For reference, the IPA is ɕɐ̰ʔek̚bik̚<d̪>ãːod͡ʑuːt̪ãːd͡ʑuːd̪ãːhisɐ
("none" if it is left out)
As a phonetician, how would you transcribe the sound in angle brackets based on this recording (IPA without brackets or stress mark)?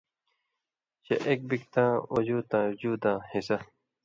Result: t̪